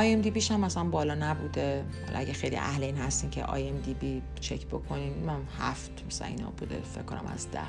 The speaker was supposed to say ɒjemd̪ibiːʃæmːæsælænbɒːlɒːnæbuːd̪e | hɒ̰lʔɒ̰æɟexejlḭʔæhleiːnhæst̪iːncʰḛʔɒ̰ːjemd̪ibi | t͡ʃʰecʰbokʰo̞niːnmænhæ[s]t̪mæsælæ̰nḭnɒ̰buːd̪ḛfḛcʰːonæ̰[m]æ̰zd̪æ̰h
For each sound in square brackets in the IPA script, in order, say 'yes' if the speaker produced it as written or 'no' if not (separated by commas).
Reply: no, yes